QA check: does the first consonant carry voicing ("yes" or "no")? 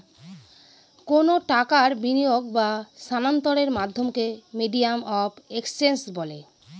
no